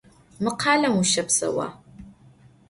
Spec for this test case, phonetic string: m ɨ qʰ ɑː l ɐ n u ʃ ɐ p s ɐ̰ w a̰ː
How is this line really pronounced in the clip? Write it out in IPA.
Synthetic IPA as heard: m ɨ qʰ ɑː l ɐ m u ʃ ɐ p s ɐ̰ w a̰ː